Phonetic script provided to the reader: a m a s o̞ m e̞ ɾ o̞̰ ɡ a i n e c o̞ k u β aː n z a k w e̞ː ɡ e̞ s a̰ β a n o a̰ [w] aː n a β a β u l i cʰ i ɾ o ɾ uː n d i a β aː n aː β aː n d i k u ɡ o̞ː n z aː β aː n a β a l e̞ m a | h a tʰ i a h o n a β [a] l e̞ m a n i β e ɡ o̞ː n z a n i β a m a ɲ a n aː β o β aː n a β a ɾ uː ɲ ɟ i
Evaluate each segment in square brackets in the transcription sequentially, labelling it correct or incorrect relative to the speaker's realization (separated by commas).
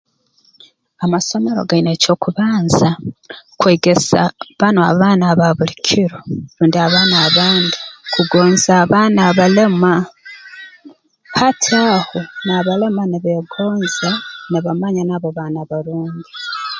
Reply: incorrect, correct